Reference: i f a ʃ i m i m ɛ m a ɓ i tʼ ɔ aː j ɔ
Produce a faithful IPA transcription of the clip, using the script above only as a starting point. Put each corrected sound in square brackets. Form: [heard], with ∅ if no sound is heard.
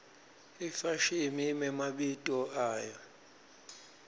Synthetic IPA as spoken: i f a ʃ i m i m ɛ m a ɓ i tʼ ɔ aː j ɔ